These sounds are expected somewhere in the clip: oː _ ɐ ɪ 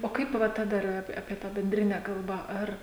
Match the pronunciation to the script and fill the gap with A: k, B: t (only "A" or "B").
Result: A